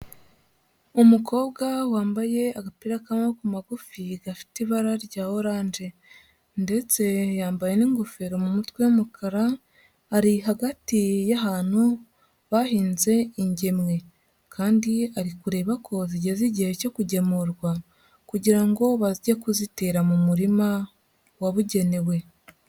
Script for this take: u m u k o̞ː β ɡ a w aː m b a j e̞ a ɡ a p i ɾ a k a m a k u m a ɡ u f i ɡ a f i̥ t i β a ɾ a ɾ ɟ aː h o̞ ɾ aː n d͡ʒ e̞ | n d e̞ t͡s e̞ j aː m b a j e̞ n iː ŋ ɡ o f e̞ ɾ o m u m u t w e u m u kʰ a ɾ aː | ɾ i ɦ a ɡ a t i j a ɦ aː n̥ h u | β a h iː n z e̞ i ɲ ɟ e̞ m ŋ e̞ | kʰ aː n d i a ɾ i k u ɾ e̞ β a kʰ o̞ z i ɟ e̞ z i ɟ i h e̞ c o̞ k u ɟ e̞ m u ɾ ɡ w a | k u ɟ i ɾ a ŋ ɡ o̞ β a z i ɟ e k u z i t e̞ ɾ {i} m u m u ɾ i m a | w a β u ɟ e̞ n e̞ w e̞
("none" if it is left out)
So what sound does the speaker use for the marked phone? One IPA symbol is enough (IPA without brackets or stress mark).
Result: a